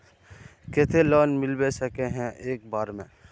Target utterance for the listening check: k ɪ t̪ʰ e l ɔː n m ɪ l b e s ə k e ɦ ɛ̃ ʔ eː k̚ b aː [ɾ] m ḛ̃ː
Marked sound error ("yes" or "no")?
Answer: no